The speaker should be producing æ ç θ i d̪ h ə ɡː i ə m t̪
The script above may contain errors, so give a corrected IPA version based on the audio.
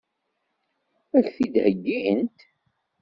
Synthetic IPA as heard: æ ç θ i d̪ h ə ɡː i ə n t̪